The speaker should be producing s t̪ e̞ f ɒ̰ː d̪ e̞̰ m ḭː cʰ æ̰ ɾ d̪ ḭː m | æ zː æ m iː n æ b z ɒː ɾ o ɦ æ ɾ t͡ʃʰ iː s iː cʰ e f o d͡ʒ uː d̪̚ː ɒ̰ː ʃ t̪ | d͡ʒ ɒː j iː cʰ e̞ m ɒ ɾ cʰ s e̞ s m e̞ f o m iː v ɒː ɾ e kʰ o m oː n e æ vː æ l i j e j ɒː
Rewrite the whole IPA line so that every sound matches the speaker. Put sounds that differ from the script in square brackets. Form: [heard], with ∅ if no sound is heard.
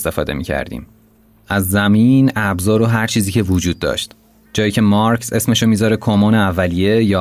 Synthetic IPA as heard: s t̪ e̞ f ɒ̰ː d̪ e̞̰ m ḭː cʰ æ̰ ɾ d̪ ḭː m | æ zː æ m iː n æ b z ɒː ɾ o ɦ æ ɾ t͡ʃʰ iː [z] iː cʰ e [v] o d͡ʒ uː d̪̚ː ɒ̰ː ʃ t̪ | d͡ʒ ɒː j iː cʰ e̞ m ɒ ɾ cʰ s e̞ s m e̞ [ʃ] o m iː [z] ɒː ɾ e kʰ o m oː n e æ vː æ l i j e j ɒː